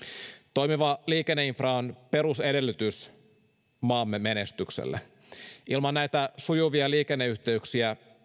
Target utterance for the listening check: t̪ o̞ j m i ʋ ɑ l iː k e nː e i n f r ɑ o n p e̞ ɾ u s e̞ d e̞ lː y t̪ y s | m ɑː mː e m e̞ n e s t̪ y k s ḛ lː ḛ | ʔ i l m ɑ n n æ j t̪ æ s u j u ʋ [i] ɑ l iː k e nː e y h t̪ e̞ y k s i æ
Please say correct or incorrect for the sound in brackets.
correct